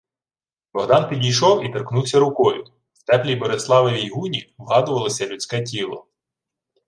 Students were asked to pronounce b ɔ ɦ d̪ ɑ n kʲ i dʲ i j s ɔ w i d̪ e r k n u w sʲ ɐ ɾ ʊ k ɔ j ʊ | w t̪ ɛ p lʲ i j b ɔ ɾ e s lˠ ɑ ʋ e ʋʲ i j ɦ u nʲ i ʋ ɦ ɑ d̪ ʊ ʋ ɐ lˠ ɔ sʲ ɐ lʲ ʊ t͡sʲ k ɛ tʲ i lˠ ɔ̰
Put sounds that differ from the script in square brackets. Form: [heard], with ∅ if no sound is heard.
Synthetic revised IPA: b ɔ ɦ d̪ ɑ n [pʲ] i dʲ i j [ʃ] ɔ w i [t̪] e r k n u w sʲ ɐ ɾ ʊ k ɔ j ʊ | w t̪ ɛ p lʲ i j b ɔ ɾ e s lˠ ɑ ʋ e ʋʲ i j ɦ u nʲ i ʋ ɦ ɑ d̪ ʊ ʋ ɐ lˠ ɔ sʲ ɐ lʲ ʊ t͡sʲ k ɛ tʲ i lˠ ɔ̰